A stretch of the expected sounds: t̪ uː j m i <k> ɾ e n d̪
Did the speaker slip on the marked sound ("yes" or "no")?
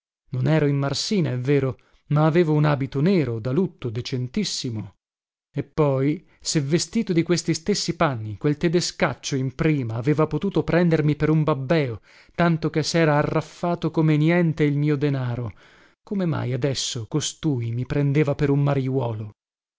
yes